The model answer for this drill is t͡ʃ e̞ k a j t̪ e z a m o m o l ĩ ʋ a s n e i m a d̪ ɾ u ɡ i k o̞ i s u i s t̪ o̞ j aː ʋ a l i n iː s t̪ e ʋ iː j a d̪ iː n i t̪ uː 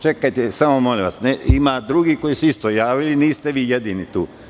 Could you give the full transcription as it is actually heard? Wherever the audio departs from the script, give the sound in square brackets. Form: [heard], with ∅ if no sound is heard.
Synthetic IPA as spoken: t͡ʃ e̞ k a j t̪ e [s] a m o m o l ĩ ʋ a s n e i m a d̪ ɾ u ɡ i k o̞ i s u i s t̪ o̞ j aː ʋ [i] l i n iː s t̪ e ʋ iː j [e] d̪ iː n i t̪ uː

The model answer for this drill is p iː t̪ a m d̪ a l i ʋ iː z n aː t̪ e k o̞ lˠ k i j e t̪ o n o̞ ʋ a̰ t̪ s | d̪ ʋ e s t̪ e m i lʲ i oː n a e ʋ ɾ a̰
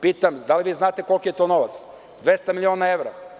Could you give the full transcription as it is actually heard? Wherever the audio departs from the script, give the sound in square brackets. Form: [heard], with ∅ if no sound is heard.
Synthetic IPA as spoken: p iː t̪ a m d̪ a l i ʋ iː z n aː t̪ e k o̞ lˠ k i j e t̪ o n o̞ ʋ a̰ t̪ s | d̪ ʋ e s t̪ [a] m i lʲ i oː n a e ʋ ɾ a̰

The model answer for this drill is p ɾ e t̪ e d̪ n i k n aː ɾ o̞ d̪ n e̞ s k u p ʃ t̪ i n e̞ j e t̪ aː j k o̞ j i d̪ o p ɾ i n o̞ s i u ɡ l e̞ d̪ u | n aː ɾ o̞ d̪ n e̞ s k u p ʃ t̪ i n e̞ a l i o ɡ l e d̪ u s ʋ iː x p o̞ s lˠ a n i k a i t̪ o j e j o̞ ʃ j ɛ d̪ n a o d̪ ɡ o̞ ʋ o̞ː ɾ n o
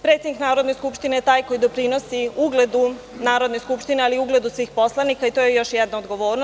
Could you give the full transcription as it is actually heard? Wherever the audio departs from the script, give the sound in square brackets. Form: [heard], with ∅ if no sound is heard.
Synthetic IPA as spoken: p ɾ e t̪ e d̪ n i k n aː ɾ o̞ d̪ n e̞ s k u p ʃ t̪ i n e̞ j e t̪ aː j k o̞ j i d̪ o p ɾ i n o̞ s i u ɡ l e̞ d̪ u | n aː ɾ o̞ d̪ n e̞ s k u p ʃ t̪ i n e̞ a l i [u] ɡ l e d̪ u s ʋ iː x p o̞ s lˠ a n i k a i t̪ o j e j o̞ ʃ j ɛ d̪ n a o d̪ ɡ o̞ ʋ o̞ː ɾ n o

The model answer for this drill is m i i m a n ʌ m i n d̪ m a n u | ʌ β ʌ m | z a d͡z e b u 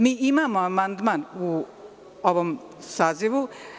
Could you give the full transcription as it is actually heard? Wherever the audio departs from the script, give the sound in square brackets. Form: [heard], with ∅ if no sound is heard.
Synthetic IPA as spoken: m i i m a [m] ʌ m [a] n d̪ m a n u | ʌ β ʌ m | [s] a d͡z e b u

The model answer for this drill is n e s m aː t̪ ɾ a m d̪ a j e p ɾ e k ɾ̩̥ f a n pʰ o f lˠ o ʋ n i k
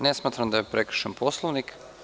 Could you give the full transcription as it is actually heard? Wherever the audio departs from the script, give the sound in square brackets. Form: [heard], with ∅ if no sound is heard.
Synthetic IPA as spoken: n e s m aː t̪ ɾ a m d̪ a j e p ɾ e k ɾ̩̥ [ʃ] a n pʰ o [s] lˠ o ʋ n i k

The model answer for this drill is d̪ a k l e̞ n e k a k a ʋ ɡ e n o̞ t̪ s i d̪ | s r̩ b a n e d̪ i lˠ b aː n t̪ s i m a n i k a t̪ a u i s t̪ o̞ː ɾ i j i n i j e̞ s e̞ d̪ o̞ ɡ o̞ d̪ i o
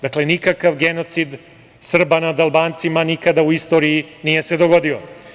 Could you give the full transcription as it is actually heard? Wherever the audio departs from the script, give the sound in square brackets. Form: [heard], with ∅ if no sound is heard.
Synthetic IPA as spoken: d̪ a k l e̞ n [i] k a k a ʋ ɡ e n o̞ t̪ s i d̪ | s r̩ b a n [a] d̪ [a] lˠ b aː n t̪ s i m a n i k a [d̪] a u i s t̪ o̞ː ɾ i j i n i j e̞ s e̞ d̪ o̞ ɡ o̞ d̪ i o

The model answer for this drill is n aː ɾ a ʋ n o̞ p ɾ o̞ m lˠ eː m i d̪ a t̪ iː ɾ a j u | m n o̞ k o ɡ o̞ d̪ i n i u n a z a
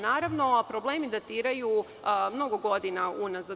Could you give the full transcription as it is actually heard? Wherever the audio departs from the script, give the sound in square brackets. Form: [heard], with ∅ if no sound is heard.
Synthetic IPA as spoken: n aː ɾ a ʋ n o̞ p ɾ o̞ [b] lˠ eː m i d̪ a t̪ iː ɾ a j u | m n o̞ [ɡ] o ɡ o̞ d̪ i n [a] u n a z a

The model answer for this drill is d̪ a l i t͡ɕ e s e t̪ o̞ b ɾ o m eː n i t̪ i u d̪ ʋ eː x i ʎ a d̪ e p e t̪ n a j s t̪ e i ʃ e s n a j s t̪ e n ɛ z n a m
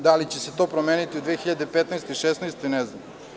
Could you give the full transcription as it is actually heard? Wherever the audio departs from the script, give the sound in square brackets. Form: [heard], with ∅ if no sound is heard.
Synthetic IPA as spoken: d̪ a l i t͡ɕ e s e t̪ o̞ [p] ɾ o m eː n i t̪ i u d̪ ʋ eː x i ʎ a d̪ e p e t̪ n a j s t̪ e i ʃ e s n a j s t̪ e n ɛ z n a m

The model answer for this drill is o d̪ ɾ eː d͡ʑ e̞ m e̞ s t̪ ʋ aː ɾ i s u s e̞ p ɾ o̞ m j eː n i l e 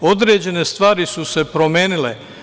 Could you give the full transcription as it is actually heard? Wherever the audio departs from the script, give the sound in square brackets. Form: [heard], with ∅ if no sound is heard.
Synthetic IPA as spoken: o d̪ ɾ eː d͡ʑ e̞ [n] e̞ s t̪ ʋ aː ɾ i s u s e̞ p ɾ o̞ m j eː n i l e

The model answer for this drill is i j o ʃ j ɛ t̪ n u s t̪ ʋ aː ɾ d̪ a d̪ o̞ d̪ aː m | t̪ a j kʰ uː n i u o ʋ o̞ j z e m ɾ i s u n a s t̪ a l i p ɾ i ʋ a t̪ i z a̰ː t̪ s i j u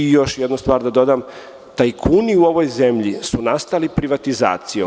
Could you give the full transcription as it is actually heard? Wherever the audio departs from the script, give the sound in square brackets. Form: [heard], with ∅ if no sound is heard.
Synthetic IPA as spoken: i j o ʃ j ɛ [d̪] n u s t̪ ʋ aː ɾ d̪ a d̪ o̞ d̪ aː m | t̪ a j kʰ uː n i u o ʋ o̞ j z e m [ʎ] i s u n a s t̪ a l i p ɾ i ʋ a t̪ i z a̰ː t̪ s i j [o]

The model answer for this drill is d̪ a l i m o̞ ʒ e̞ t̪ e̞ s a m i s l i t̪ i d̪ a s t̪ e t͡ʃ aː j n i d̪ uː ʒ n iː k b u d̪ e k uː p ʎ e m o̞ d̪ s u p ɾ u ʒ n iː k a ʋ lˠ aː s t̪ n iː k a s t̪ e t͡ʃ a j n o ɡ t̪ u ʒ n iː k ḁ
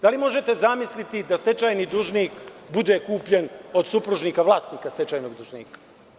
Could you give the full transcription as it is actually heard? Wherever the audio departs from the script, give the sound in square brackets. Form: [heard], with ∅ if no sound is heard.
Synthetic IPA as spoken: d̪ a l i m o̞ ʒ e̞ t̪ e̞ [z] a m i s l i t̪ i d̪ a s t̪ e t͡ʃ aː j n i d̪ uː ʒ n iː k b u d̪ e k uː p ʎ e [n] o̞ d̪ s u p ɾ u ʒ n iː k a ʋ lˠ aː s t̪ n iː k a s t̪ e t͡ʃ a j n o ɡ [d̪] u ʒ n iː k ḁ

